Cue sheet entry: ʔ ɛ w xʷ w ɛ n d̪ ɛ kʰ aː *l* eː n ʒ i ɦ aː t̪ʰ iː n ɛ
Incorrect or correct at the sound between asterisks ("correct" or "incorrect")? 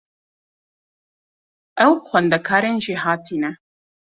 incorrect